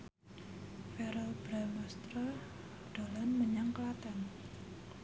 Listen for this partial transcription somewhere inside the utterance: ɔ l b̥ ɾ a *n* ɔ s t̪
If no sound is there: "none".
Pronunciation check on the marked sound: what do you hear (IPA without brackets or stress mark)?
m